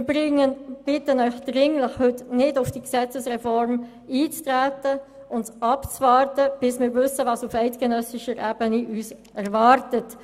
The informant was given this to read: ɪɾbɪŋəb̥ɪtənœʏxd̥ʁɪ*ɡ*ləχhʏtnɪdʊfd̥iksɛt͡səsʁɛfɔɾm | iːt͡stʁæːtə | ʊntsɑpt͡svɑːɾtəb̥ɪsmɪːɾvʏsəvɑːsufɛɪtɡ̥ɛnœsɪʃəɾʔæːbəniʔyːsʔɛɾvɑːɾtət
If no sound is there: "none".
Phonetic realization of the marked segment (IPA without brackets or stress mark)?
ŋ